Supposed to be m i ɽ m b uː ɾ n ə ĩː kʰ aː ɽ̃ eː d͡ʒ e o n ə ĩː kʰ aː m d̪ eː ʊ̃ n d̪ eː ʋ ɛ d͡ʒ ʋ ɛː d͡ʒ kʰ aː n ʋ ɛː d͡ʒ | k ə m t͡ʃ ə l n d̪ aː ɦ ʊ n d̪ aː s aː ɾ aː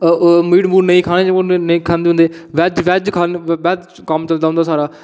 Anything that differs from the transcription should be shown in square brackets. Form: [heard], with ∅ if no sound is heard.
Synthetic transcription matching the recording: m [iː] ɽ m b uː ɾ n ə ĩː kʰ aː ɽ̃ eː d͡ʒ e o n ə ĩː kʰ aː [n] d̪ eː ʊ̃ n d̪ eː ʋ ɛ d͡ʒ ʋ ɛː d͡ʒ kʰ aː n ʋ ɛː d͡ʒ | k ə m t͡ʃ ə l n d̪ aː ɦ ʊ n d̪ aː s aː ɾ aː